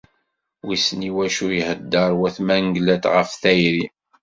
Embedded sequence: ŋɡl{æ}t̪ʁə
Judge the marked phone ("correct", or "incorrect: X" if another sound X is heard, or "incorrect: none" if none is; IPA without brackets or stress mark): correct